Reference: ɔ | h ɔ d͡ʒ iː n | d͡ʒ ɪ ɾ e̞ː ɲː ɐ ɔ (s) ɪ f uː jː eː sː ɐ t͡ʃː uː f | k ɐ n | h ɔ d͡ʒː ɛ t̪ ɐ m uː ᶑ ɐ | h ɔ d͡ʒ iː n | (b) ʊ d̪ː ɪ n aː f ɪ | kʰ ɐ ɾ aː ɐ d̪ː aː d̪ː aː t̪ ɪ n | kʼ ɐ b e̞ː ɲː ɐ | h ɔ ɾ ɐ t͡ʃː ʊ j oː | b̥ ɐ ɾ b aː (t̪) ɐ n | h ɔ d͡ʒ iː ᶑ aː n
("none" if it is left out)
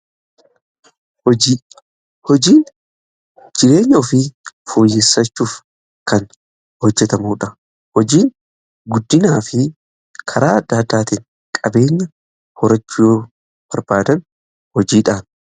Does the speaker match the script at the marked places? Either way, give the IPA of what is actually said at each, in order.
f, ɡ, d̪

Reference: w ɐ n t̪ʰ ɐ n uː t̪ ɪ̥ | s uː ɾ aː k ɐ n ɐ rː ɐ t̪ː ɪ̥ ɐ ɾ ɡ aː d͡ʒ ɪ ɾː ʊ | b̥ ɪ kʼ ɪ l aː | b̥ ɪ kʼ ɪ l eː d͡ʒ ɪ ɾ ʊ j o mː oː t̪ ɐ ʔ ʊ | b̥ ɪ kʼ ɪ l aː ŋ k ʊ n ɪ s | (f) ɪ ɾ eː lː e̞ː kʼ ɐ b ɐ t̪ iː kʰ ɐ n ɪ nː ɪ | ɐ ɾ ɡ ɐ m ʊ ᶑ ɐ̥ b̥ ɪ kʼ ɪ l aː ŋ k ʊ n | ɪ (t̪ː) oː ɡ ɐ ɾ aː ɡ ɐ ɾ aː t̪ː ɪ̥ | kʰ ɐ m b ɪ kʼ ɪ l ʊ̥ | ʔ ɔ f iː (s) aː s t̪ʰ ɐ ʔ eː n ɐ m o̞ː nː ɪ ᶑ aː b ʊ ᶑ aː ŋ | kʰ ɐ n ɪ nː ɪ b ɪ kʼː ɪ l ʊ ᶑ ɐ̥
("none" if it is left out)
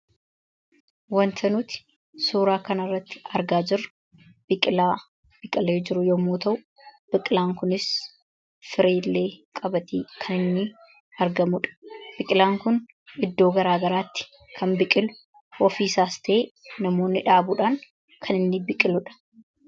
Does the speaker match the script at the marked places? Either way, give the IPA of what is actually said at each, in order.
f, d̪ː, s

